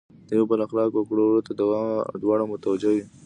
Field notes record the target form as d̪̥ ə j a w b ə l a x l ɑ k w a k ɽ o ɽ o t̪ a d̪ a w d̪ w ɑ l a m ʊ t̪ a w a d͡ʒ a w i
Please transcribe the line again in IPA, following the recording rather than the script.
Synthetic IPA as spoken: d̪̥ ə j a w b ə l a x l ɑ k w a k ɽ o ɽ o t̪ a d̪ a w d̪ w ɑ ɽ a m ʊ t̪ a w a d͡ʒ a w i